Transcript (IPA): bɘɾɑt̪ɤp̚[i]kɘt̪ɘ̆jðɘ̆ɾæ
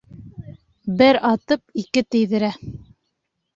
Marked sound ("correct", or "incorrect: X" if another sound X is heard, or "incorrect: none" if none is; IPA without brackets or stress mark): correct